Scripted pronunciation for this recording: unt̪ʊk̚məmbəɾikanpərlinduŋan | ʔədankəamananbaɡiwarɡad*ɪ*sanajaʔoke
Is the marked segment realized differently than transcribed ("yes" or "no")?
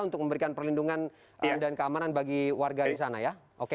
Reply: yes